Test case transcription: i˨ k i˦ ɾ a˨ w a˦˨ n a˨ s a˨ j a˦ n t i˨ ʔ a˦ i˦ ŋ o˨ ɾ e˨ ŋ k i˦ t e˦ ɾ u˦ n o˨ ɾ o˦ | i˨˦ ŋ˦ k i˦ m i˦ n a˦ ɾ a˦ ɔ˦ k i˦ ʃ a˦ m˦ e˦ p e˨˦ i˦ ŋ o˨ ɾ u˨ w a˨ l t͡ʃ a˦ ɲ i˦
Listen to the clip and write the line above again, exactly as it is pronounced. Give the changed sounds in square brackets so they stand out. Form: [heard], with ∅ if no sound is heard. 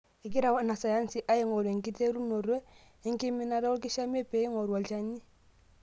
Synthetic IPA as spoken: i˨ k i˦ ɾ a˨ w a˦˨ n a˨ s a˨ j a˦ n [s] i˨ ʔ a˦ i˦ ŋ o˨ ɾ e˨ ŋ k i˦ t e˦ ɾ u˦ n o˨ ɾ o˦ | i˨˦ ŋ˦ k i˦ m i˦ n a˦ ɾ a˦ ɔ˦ k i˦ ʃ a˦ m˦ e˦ p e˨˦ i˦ ŋ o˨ ɾ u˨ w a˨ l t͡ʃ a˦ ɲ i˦